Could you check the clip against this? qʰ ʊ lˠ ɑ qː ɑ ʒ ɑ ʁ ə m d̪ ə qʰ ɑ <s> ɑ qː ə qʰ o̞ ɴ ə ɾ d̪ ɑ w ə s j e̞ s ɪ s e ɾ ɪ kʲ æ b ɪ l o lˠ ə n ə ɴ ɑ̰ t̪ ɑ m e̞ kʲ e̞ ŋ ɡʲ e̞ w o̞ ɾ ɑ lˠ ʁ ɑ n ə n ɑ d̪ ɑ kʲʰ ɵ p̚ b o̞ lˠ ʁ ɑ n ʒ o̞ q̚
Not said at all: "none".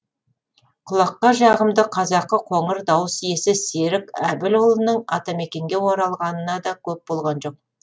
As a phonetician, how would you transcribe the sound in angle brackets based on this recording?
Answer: z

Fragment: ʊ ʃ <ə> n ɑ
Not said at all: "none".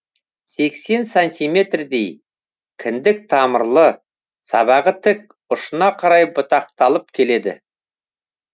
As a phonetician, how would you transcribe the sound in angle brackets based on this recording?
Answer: ə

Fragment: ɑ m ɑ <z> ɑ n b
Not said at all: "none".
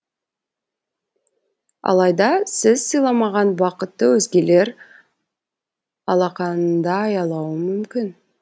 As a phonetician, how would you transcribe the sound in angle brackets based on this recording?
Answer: ʁ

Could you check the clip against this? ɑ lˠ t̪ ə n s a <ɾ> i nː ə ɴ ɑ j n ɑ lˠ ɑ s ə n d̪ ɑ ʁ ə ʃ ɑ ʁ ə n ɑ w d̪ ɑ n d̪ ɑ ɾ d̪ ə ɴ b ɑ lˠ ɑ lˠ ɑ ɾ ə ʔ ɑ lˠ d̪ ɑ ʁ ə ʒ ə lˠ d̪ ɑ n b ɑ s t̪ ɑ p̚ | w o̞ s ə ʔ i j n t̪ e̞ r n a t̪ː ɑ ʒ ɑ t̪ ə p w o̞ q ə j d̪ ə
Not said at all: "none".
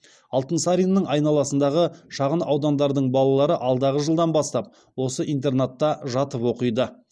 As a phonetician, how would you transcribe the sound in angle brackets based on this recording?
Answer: ɾ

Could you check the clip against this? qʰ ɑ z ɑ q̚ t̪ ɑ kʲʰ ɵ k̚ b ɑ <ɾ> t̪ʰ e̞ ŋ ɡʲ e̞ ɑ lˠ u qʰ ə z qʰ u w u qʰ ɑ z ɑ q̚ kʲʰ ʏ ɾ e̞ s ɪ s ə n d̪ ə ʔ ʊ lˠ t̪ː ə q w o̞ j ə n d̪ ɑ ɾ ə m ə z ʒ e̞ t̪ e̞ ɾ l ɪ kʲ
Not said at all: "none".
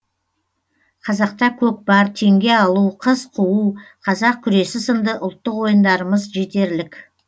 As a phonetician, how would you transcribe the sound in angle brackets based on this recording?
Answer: ɾ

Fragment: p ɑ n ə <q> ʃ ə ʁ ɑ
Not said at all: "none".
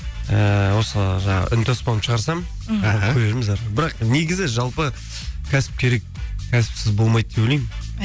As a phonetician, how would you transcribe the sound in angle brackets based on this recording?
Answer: p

